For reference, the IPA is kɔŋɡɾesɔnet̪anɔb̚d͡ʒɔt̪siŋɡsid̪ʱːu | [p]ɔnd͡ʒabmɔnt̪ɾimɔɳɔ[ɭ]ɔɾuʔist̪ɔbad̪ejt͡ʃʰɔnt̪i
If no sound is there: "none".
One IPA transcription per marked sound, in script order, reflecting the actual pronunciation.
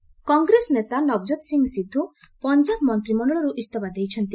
p, ɭ

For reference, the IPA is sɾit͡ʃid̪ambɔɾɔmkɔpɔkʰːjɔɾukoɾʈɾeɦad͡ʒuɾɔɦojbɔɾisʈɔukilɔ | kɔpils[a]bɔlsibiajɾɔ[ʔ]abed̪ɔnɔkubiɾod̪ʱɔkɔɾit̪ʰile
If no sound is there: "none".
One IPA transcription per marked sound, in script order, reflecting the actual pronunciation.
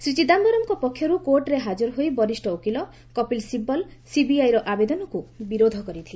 i, ʔ

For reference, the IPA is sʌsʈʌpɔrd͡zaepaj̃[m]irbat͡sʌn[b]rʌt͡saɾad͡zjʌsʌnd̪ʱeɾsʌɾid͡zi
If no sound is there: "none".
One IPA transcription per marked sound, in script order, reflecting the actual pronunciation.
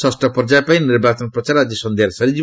n, p

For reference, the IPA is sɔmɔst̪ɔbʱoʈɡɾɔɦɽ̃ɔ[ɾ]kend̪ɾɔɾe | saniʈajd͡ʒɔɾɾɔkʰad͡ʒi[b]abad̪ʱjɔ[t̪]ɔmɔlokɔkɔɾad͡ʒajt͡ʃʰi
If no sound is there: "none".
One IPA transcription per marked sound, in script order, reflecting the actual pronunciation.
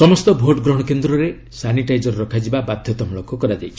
none, b, t̪

